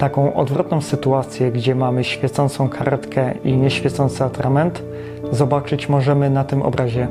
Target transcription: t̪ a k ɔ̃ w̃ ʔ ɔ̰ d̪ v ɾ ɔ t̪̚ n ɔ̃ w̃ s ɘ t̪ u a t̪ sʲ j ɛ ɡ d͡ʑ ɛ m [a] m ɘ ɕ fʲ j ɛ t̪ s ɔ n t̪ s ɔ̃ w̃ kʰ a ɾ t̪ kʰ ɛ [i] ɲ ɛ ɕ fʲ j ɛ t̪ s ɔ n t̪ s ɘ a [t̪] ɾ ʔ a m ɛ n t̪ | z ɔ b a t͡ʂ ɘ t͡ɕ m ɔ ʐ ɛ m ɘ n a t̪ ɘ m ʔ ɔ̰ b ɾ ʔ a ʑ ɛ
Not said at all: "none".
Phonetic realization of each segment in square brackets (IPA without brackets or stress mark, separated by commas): a, i, t̪